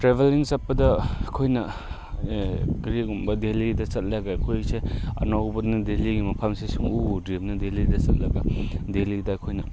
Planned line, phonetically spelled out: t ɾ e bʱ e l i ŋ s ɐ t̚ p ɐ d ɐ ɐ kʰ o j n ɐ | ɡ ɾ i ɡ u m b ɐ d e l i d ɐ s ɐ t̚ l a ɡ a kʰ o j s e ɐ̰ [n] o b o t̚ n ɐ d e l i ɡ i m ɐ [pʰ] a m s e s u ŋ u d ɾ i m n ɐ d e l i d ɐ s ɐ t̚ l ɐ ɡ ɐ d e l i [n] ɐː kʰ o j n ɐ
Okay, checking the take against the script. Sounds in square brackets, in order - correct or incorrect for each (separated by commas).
correct, correct, incorrect